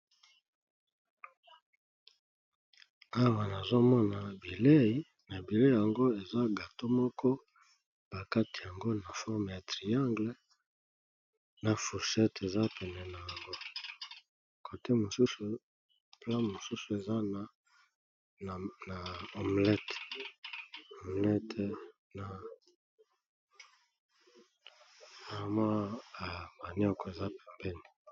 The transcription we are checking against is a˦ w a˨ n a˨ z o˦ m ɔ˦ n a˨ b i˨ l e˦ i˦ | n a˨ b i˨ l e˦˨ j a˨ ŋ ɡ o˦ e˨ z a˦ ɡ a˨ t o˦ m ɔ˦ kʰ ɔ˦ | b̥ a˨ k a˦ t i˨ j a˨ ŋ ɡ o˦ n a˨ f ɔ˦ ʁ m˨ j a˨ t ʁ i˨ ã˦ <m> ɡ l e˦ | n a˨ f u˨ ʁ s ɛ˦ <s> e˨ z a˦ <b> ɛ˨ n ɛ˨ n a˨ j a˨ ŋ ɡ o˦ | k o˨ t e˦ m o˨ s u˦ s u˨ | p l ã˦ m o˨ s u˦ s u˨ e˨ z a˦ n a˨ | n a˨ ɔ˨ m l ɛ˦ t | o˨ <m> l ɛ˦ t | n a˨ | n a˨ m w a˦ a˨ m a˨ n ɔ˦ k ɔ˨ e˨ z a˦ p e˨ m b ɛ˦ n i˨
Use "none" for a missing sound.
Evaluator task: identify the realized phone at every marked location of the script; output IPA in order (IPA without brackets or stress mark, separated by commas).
ŋ, t, p, m